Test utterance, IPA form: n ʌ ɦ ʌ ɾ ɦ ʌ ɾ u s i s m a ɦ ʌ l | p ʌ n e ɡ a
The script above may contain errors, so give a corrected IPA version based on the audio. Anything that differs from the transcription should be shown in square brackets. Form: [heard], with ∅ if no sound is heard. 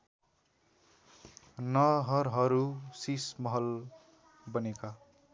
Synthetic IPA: n ʌ ɦ ʌ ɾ ɦ ʌ ɾ u s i s m [ʌ] ɦ ʌ l | [b] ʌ n e [k] a

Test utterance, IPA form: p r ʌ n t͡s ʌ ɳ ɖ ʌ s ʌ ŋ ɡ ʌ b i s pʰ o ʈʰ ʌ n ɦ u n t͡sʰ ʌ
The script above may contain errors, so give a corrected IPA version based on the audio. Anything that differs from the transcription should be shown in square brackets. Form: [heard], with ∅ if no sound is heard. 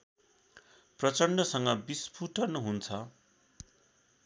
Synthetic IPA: p r ʌ [∅] t͡s ʌ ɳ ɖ ʌ s ʌ ŋ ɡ ʌ b i s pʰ [u] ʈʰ ʌ n ɦ u n t͡sʰ ʌ

